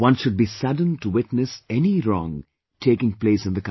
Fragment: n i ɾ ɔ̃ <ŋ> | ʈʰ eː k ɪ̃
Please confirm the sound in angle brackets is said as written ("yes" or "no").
yes